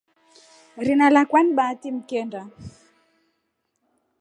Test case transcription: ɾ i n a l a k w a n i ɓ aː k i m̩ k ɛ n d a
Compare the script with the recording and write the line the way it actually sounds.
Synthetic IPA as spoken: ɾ i n a l a k w a n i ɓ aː t i m̩ k ɛ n d a